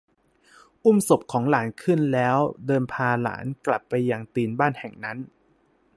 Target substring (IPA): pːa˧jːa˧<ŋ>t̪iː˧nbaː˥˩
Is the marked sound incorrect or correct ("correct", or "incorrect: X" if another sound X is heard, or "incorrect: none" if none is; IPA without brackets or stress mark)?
correct